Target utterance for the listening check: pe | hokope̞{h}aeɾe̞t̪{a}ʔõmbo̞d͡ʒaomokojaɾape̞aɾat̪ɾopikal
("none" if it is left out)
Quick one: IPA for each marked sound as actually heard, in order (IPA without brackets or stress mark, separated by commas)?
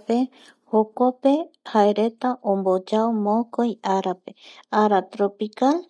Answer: h, a